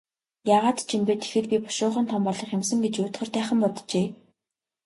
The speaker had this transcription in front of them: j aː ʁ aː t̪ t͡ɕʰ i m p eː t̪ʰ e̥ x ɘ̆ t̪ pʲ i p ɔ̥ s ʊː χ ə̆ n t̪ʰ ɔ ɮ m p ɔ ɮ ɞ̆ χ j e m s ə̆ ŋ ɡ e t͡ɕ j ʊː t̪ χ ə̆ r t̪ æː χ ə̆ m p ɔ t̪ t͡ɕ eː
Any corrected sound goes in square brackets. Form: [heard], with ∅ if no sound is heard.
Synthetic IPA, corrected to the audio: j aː ʁ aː t̪ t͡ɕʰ i m p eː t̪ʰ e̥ x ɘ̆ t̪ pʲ i p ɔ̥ [ʃ] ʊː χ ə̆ n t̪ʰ ɔ [∅] m p ɔ ɮ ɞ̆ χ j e m s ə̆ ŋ ɡ e t͡ɕ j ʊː t̪ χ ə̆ r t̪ æː χ ə̆ m p ɔ t̪ t͡ɕ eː